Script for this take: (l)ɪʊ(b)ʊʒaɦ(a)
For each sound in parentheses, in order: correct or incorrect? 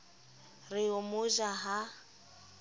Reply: incorrect, incorrect, correct

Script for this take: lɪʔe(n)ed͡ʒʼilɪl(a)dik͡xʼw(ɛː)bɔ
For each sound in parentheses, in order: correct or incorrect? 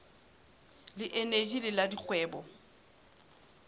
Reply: correct, correct, correct

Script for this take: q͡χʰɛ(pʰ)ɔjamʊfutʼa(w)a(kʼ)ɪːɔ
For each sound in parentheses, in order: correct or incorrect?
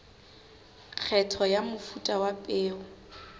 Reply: incorrect, correct, incorrect

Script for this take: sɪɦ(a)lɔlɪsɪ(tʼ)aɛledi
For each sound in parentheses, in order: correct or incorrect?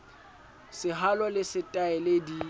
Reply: correct, correct

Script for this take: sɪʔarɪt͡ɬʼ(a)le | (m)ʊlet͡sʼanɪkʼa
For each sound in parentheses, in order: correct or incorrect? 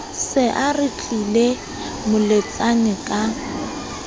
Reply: incorrect, correct

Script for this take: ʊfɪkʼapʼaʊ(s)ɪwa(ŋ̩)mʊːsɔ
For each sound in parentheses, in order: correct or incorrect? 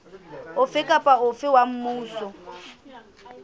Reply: incorrect, incorrect

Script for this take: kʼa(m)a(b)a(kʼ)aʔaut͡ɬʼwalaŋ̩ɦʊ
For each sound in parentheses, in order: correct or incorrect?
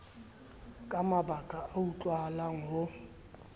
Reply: correct, correct, correct

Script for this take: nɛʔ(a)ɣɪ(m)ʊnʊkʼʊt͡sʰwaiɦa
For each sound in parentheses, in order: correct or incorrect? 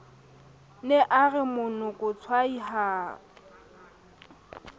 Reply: correct, correct

